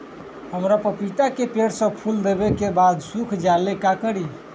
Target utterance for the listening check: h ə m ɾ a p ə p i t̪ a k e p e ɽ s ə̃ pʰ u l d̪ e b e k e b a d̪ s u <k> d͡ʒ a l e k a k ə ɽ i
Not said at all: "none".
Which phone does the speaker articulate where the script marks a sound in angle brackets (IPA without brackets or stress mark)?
kʰ